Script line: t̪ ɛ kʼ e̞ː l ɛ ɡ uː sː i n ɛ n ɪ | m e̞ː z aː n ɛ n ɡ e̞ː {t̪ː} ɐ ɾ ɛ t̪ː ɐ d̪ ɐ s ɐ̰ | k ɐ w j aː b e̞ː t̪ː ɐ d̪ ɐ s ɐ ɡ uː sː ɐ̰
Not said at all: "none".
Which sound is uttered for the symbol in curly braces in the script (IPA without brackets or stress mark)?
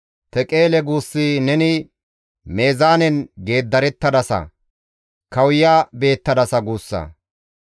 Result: d̪ː